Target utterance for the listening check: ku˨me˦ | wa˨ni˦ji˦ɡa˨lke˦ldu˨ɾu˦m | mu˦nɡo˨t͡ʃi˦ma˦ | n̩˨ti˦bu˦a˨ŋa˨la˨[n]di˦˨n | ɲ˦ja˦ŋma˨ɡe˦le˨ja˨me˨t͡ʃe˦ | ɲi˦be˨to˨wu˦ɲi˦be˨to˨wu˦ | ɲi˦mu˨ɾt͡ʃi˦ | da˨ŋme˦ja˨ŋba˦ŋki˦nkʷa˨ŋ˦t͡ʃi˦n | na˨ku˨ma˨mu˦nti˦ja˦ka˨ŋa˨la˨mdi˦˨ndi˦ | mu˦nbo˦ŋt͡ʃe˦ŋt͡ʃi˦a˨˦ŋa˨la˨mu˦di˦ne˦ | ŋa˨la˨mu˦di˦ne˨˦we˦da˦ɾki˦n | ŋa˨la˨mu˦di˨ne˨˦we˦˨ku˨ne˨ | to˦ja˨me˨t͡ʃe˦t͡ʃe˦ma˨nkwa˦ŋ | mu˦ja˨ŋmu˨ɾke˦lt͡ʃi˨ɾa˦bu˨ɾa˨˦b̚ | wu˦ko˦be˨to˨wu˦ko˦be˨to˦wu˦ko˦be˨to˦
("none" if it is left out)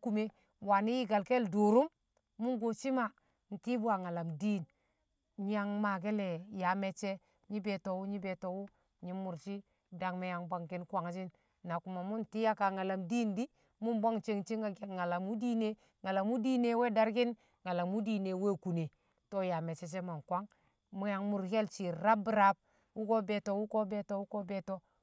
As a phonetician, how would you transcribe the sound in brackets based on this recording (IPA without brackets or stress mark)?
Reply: m